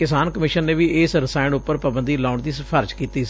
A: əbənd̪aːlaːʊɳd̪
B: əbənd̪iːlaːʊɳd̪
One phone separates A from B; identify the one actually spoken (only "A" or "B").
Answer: B